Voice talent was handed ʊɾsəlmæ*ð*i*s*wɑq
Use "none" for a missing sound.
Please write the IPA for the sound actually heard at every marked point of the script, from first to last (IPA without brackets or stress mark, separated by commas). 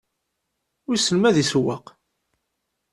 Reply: ð, s